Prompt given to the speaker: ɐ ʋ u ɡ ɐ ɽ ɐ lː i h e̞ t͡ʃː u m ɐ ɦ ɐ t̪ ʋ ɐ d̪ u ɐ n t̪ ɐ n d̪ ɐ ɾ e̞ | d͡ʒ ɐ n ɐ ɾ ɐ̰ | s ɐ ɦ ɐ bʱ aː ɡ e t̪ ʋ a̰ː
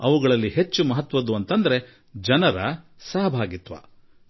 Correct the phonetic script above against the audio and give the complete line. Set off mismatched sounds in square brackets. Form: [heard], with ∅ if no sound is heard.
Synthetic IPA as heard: ɐ ʋ u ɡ ɐ [ɭ] ɐ lː i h e̞ t͡ʃː u m ɐ ɦ ɐ t̪ ʋ ɐ d̪ u ɐ n t̪ ɐ n d̪ ɐ ɾ e̞ | d͡ʒ ɐ n ɐ ɾ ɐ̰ | s ɐ ɦ ɐ bʱ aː ɡ [i] t̪ ʋ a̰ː